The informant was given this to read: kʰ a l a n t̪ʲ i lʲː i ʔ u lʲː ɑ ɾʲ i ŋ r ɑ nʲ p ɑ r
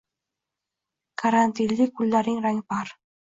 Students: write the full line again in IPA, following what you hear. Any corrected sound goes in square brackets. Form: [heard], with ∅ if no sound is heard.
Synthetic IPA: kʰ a [ɾ] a n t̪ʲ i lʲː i [k] u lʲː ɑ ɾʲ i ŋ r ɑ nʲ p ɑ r

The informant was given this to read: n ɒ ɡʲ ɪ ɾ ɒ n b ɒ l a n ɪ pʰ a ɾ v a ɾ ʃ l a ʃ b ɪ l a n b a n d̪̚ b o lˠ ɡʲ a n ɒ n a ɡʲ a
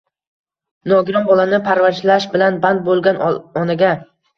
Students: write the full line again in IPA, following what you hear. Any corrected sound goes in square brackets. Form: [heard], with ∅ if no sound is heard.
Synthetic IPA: n ɒ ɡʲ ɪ ɾ ɒ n b ɒ l a n ɪ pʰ a ɾ v a ɾ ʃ l a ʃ b ɪ l a n b a n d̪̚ b o lˠ ɡʲ a n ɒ n a ɡʲ a

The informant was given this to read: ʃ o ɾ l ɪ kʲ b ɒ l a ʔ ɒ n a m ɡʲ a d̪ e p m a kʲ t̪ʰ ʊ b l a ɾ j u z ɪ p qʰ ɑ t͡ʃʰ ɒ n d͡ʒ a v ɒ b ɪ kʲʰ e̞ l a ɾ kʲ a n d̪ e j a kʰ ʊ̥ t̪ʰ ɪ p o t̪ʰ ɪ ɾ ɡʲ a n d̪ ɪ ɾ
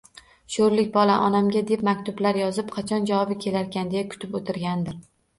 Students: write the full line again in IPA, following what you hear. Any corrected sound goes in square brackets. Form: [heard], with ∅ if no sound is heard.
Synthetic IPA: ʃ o ɾ l ɪ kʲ b ɒ l a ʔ ɒ n a m ɡʲ a d̪ e p m a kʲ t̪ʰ ʊ b l a ɾ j [ɒ] z ɪ p qʰ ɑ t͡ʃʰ ɒ n d͡ʒ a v ɒ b ɪ kʲʰ e̞ l a ɾ kʲ a n d̪ e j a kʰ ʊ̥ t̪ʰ ɪ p o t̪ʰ ɪ ɾ ɡʲ a n d̪ ɪ ɾ

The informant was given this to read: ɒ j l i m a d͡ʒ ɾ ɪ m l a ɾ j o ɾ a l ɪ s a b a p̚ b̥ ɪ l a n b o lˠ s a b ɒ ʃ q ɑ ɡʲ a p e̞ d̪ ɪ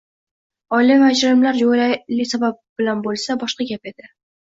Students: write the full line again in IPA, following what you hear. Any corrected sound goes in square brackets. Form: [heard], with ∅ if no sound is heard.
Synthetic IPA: ɒ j l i m a d͡ʒ ɾ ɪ m l a ɾ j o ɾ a l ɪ s a b a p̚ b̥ ɪ l a n b o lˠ s a b ɒ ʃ q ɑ ɡʲ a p e̞ d̪ ɪ

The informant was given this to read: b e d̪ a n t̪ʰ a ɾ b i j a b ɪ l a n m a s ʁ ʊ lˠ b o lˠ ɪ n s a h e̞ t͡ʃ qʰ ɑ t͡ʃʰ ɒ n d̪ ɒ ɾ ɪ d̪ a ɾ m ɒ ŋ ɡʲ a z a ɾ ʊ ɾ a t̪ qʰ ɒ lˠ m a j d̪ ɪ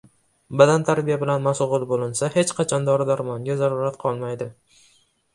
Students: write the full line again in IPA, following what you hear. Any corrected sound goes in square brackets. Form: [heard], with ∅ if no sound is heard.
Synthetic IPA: b [a] d̪ a n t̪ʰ a ɾ b i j a b ɪ l a n m a s ʁ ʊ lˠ b o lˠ ɪ n s a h e̞ t͡ʃ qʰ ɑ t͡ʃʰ ɒ n d̪ ɒ ɾ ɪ d̪ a ɾ m ɒ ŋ ɡʲ a z a ɾ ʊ ɾ a t̪ qʰ ɒ lˠ m a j d̪ ɪ

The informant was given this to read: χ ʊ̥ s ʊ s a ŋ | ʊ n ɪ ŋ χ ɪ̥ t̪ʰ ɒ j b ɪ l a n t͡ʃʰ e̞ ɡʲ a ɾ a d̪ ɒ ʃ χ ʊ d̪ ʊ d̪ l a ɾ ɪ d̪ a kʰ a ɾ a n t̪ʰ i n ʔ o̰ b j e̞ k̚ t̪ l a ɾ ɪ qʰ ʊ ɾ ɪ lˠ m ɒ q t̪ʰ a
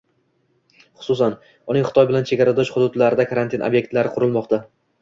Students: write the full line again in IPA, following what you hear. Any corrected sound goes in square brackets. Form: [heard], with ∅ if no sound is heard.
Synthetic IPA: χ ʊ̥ s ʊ s a [n] | ʊ n ɪ ŋ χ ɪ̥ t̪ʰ ɒ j b ɪ l a n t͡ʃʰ e̞ ɡʲ a ɾ a d̪ ɒ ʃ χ ʊ d̪ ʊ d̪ l a ɾ ɪ d̪ a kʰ a ɾ a n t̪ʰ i n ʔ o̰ b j e̞ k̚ t̪ l a ɾ ɪ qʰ ʊ ɾ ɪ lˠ m ɒ q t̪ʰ a

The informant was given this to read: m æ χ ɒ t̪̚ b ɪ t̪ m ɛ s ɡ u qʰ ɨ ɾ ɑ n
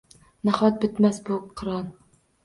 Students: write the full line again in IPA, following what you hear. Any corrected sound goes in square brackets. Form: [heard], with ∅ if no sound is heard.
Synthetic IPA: [n] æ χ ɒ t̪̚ b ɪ t̪ m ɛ s [b] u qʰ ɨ ɾ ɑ n

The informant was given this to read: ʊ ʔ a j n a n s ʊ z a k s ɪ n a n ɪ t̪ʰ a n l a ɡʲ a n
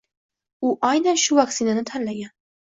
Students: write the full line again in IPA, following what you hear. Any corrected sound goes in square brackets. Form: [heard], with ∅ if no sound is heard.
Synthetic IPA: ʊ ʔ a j n a n [ʃ] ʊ [v] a k s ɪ n a n ɪ t̪ʰ a n l a ɡʲ a n

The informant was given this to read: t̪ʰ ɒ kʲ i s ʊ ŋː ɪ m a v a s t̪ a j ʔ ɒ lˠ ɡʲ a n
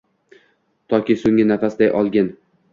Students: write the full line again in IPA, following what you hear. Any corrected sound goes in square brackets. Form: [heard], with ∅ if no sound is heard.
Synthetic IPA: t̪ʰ ɒ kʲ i s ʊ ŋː ɪ [n] a [f] a s [d̪] a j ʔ ɒ lˠ ɡʲ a n

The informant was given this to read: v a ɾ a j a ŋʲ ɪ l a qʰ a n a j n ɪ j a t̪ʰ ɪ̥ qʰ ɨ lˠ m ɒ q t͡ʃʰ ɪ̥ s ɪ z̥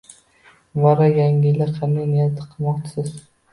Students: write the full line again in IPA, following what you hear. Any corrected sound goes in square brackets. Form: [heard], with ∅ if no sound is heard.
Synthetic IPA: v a ɾ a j a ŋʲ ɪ l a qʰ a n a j n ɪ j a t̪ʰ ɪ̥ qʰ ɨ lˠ m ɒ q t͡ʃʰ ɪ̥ s ɪ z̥

